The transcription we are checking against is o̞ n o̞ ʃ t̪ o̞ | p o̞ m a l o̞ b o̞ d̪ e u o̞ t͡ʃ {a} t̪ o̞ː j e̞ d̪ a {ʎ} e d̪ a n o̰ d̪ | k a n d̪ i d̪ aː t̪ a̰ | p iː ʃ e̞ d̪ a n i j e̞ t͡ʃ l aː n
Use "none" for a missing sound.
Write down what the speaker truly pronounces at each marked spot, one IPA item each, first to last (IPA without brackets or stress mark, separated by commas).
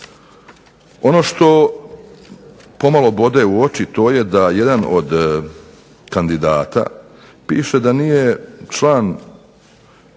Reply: i, j